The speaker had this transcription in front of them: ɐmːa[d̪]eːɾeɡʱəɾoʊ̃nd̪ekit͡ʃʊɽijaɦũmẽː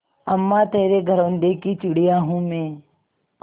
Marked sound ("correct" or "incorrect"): incorrect